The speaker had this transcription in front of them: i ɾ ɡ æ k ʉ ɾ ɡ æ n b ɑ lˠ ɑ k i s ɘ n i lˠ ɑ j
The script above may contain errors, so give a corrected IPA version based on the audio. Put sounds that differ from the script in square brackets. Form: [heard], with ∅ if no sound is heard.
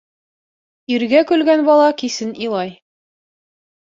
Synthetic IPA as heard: i ɾ ɡ æ k ʉ [l] ɡ æ n b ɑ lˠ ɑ k i s ɘ n i lˠ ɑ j